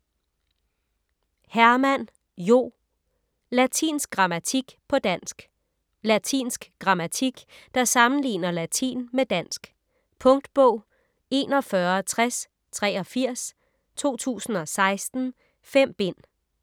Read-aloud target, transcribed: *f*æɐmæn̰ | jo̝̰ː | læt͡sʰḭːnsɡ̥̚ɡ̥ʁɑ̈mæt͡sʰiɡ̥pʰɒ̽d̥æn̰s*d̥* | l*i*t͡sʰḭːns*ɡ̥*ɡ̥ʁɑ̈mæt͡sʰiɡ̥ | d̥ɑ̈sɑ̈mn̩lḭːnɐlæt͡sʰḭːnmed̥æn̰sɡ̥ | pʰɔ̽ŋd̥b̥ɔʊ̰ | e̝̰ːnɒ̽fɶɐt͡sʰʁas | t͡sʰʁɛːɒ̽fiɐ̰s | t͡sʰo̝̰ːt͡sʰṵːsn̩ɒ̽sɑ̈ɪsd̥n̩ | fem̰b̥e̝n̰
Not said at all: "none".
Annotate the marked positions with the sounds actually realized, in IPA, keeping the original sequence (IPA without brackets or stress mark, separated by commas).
h, ɡ̥, æ, ɡ̥